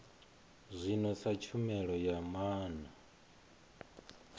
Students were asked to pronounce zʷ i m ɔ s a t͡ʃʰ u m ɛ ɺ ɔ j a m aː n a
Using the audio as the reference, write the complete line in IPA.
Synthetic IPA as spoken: zʷ i n ɔ s a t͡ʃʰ u m ɛ ɺ ɔ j a m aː n a